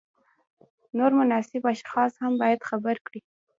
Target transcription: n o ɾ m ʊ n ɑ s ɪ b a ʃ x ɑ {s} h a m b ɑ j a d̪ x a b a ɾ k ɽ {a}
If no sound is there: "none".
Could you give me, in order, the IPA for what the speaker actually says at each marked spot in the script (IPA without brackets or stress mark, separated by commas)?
s, i